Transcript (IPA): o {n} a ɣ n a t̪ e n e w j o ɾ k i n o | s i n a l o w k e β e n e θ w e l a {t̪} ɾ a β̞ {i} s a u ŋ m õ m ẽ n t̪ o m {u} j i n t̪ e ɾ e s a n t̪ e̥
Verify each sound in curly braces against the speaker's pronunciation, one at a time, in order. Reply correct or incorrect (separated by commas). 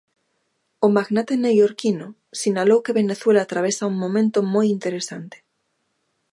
incorrect, correct, incorrect, incorrect